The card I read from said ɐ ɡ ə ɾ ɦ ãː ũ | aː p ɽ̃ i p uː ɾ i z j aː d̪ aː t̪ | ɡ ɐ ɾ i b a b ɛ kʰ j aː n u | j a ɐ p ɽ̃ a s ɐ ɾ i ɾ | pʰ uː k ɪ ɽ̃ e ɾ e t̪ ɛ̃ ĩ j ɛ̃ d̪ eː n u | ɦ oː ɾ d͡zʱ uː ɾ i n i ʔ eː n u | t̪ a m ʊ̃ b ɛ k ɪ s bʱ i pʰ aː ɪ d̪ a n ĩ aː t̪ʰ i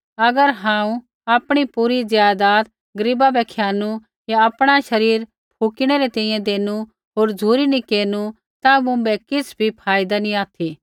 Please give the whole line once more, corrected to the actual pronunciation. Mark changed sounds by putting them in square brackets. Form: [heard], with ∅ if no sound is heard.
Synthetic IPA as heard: ɐ ɡ ə ɾ ɦ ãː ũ | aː p ɽ̃ i p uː ɾ i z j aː d̪ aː t̪ | ɡ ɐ ɾ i b a b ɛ kʰ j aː n u | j a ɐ p ɽ̃ a [ʃ] ɐ ɾ [iː] ɾ | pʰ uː k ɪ ɽ̃ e ɾ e t̪ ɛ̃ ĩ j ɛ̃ d̪ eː n u | ɦ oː ɾ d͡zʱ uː ɾ i n i [k] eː n u | t̪ a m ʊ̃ b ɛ k ɪ s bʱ i pʰ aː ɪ d̪ a n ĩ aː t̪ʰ i